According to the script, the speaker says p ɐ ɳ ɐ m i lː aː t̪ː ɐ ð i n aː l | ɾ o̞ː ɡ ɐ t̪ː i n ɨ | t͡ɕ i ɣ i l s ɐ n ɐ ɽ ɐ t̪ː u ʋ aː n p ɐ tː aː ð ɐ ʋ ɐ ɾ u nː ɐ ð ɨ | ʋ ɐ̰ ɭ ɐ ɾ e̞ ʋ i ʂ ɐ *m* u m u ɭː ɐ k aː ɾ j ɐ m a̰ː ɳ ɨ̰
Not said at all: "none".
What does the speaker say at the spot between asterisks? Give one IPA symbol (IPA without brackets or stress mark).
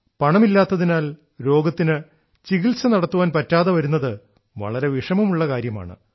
m